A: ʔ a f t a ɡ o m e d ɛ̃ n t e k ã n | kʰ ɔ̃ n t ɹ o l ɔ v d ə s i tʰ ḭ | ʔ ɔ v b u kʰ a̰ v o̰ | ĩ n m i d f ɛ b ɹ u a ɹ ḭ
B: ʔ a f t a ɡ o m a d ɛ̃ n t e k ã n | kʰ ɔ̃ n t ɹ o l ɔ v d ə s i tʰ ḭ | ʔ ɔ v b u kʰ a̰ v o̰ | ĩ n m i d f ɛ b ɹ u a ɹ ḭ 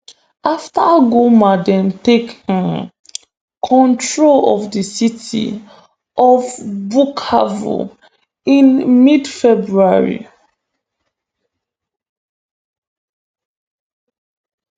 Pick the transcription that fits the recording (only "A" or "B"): B